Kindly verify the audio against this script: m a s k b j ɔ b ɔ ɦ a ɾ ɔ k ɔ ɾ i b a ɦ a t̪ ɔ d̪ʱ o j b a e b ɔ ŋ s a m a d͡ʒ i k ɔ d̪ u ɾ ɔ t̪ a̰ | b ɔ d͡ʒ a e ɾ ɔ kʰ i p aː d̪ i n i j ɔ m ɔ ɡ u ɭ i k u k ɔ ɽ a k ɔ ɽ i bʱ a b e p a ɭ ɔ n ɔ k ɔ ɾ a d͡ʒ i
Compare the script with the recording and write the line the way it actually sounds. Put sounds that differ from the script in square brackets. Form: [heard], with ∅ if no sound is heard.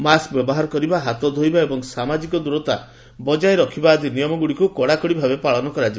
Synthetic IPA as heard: m a s k b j ɔ b ɔ ɦ a ɾ ɔ k ɔ ɾ i b a ɦ a t̪ ɔ d̪ʱ o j b a e b ɔ ŋ s a m a d͡ʒ i k ɔ d̪ u ɾ ɔ t̪ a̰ | b ɔ d͡ʒ a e ɾ ɔ kʰ i [b] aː d̪ i n i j ɔ m ɔ ɡ u [ɽ] i k u k ɔ ɽ a k ɔ ɽ i bʱ a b e p a ɭ ɔ n ɔ k ɔ ɾ a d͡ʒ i

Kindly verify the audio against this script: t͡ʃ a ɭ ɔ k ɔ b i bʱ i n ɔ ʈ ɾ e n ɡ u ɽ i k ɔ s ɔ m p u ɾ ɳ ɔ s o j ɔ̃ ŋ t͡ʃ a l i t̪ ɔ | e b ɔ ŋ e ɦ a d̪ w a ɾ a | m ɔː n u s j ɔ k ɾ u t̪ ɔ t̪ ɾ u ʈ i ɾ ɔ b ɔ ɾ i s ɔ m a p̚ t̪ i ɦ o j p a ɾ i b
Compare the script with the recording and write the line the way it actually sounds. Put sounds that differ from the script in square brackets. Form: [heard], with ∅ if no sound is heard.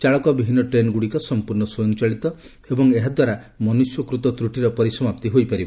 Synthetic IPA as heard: t͡ʃ a ɭ ɔ k ɔ b i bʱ i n ɔ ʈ ɾ e n ɡ u ɽ i k ɔ s ɔ m p u ɾ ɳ ɔ s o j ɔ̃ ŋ t͡ʃ a [ɭ] i t̪ ɔ | e b ɔ ŋ e ɦ a d̪ w a ɾ a | m [ɔ] n u s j ɔ k ɾ u t̪ ɔ t̪ ɾ u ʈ i ɾ ɔ [p] ɔ ɾ i s ɔ m a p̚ t̪ i ɦ o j p a ɾ i b

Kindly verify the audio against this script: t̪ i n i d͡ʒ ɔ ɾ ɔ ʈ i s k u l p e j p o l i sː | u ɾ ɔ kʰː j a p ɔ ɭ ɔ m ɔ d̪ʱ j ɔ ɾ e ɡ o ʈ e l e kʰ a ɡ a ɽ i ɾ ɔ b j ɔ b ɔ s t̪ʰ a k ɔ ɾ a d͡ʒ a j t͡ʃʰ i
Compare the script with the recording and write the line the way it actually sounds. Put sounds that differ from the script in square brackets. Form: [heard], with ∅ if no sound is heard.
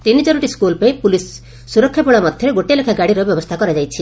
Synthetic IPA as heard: t̪ i n i d͡ʒ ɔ ɾ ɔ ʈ i s k u l p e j p [u] l i sː | u ɾ ɔ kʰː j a p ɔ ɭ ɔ m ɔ d̪ʱ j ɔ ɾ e ɡ o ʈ e l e kʰ a ɡ a ɽ i ɾ ɔ b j ɔ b ɔ s t̪ʰ a k ɔ ɾ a d͡ʒ a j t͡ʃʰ i

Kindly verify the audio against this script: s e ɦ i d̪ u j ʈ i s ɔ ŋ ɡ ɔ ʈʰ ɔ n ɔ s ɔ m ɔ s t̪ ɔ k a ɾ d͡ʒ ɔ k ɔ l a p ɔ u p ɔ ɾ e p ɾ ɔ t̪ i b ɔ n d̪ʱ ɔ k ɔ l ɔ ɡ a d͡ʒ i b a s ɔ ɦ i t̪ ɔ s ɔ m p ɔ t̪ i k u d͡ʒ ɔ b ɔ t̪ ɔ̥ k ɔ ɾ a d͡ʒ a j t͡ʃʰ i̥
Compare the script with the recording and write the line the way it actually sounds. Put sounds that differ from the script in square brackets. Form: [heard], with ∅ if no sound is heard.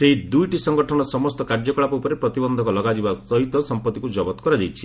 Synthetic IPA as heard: s e ɦ i d̪ u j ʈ i s ɔ ŋ ɡ ɔ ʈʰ ɔ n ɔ s ɔ m ɔ s t̪ ɔ k a ɾ d͡ʒ ɔ k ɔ [ɭ] a p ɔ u p ɔ ɾ e p ɾ ɔ t̪ i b ɔ n d̪ʱ ɔ k ɔ l ɔ ɡ a d͡ʒ i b a s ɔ ɦ i t̪ ɔ s ɔ m p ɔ t̪ i k u d͡ʒ ɔ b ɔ t̪ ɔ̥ k ɔ ɾ a d͡ʒ a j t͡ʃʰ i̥

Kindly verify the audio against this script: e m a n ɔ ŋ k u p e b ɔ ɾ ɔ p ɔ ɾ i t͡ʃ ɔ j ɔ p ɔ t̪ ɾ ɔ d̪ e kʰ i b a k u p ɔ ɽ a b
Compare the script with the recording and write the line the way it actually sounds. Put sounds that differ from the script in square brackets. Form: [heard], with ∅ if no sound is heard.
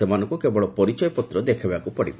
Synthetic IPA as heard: e m a n ɔ ŋ k u [k] e b ɔ [ɭ] ɔ p ɔ ɾ i t͡ʃ ɔ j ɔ p ɔ t̪ ɾ ɔ d̪ e kʰ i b a k u p ɔ ɽ [i] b

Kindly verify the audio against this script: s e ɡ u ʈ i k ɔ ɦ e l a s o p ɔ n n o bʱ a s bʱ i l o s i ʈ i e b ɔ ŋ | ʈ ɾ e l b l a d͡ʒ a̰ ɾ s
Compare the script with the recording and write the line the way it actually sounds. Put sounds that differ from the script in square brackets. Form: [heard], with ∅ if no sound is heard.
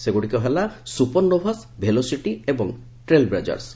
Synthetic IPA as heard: s e ɡ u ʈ i k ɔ ɦ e l a s [u] p ɔ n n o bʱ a s bʱ [e] l o s i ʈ i e b ɔ ŋ | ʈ ɾ e l b [ɾ] a d͡ʒ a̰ ɾ s

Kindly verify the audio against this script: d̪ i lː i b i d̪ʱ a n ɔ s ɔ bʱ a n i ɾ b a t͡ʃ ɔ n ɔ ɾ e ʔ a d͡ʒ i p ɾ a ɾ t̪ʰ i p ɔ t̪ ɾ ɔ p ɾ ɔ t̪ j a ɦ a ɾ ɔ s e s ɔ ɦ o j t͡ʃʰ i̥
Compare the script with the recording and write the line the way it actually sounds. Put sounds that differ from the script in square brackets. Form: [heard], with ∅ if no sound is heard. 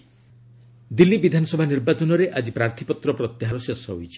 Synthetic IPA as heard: d̪ i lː i b i d̪ʱ a n ɔ s ɔ bʱ a n i ɾ b a t͡ʃ ɔ n ɔ ɾ e ʔ a d͡ʒ i p ɾ a ɾ t̪ʰ i p ɔ t̪ ɾ ɔ p ɾ ɔ t̪ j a ɦ a ɾ ɔ s e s ɔ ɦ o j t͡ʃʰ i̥

